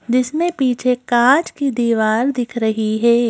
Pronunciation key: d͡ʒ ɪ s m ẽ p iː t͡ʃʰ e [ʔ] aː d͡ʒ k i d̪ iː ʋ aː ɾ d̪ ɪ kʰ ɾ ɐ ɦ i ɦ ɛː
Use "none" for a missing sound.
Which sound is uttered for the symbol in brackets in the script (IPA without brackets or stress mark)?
k